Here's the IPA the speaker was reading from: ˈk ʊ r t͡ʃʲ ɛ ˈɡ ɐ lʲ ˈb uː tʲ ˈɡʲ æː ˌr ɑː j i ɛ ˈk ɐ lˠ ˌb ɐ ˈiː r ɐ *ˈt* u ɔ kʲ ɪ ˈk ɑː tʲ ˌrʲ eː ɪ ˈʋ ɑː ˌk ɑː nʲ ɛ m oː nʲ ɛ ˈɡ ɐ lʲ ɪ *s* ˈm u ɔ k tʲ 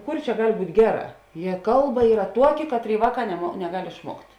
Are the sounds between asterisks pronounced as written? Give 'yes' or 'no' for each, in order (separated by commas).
yes, no